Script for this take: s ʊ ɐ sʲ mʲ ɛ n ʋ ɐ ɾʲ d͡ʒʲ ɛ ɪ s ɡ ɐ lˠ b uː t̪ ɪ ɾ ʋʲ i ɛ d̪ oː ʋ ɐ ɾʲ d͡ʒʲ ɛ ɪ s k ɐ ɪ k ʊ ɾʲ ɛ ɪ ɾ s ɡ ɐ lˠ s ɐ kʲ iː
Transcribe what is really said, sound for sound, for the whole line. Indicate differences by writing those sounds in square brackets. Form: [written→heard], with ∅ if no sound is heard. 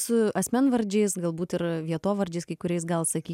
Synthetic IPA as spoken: s ʊ ɐ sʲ mʲ ɛ n ʋ ɐ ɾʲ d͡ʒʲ ɛ ɪ s ɡ ɐ lˠ b uː t̪ ɪ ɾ ʋʲ i ɛ [d̪→t̪] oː ʋ ɐ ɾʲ d͡ʒʲ ɛ ɪ s k ɐ ɪ k ʊ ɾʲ ɛ ɪ [ɾ→∅] s ɡ ɐ lˠ s ɐ kʲ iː